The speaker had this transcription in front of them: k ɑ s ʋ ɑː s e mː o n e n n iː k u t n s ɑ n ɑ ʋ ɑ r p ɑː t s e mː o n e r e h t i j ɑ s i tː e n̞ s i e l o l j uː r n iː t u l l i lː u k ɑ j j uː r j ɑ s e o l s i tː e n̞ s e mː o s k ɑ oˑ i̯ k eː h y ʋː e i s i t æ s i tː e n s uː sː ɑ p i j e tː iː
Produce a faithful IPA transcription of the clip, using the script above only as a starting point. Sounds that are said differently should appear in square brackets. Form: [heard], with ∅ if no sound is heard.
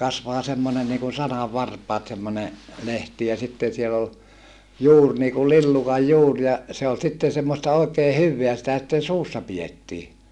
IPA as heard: k ɑ s ʋ ɑː s e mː o n e n n iː k u [∅] n s ɑ n ɑ [ʋː] ɑ r p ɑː t s e mː o n e [l] e h t i j ɑ s i tː e n̞ s i e l o l j uː r n iː [k] u l l i lː u k ɑ j j uː r j ɑ s e o l s i tː e n̞ s e mː o s [t] ɑ oˑ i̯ k eː h y ʋː e [æ] s i t æ s i tː e n s uː sː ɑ p i j e tː iː